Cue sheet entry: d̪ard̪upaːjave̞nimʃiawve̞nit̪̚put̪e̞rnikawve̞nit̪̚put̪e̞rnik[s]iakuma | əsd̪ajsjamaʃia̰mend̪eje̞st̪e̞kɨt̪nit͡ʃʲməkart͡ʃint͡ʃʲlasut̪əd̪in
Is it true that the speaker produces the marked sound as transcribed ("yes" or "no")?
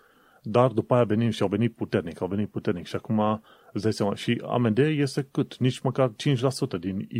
no